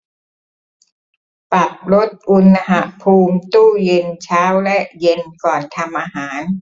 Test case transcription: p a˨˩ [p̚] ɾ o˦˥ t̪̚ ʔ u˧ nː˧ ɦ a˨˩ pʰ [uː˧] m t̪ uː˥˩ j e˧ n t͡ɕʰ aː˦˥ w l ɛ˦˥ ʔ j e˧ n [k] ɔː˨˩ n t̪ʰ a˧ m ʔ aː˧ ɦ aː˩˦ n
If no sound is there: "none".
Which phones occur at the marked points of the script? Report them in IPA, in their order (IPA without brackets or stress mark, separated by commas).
p̚, uː˧, k